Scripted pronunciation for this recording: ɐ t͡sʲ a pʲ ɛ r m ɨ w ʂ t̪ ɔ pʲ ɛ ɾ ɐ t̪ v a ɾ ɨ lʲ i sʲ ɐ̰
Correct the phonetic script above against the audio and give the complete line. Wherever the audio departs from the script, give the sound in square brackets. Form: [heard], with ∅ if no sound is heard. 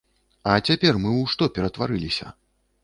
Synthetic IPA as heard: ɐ t͡sʲ a pʲ ɛ r m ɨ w ʂ t̪ ɔ pʲ ɛ ɾ ɐ t̪ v a ɾ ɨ lʲ i sʲ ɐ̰